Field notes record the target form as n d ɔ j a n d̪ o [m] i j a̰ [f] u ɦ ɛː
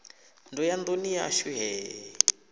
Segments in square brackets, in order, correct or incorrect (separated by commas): incorrect, incorrect